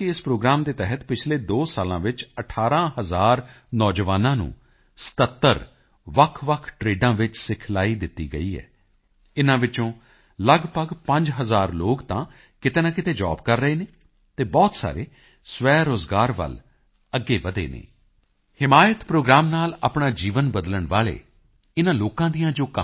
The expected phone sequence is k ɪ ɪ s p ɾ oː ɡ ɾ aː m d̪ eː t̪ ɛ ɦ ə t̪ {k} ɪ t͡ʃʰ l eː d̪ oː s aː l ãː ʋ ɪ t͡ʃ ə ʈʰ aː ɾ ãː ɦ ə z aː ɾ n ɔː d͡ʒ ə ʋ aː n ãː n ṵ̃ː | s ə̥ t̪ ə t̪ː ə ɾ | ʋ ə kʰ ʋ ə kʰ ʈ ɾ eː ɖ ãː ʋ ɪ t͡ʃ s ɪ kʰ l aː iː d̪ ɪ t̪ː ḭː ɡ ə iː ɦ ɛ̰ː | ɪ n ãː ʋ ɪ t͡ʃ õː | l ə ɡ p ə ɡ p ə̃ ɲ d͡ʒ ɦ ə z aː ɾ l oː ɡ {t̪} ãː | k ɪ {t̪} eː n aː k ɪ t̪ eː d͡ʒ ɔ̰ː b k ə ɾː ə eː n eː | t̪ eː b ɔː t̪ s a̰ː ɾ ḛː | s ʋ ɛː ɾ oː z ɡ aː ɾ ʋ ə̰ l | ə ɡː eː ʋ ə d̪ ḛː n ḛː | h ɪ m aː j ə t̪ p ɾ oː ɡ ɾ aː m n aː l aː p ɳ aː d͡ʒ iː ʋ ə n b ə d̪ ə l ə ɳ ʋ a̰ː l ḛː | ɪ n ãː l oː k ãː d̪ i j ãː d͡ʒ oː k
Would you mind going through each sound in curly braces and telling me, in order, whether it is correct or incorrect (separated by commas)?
incorrect, correct, correct